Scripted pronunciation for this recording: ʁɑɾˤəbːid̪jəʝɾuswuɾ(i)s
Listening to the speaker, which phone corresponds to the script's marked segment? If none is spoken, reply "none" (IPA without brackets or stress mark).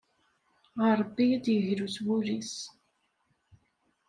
i